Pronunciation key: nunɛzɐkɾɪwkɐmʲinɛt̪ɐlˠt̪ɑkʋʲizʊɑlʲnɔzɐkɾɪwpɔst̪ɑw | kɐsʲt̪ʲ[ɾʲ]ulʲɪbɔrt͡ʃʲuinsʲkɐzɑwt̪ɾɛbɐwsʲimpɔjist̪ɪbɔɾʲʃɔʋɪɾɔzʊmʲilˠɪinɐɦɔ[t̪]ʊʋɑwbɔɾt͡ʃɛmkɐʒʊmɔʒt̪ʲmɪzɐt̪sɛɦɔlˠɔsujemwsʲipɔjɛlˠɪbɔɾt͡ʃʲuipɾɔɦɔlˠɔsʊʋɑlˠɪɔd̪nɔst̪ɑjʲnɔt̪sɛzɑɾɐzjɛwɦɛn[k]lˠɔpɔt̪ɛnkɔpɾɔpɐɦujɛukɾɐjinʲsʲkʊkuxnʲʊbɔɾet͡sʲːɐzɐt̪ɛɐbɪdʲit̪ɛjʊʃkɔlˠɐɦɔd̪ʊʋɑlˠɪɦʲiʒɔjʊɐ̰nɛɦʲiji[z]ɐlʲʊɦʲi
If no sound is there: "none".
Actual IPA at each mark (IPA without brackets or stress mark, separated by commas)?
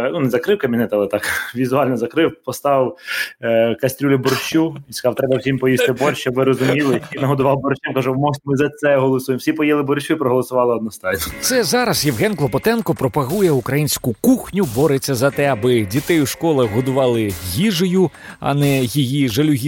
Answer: ɾʲ, d̪, k, ʒ